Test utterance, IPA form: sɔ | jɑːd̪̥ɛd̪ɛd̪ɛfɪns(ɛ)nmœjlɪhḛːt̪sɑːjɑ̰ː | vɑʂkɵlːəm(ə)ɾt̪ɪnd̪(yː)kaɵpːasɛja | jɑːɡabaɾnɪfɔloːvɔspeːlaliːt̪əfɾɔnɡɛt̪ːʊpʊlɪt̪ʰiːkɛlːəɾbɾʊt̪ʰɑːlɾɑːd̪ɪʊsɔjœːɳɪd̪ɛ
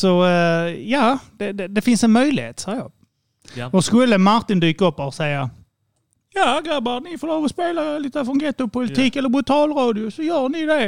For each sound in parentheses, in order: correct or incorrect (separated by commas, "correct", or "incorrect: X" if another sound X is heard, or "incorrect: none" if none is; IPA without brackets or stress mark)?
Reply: correct, incorrect: a, correct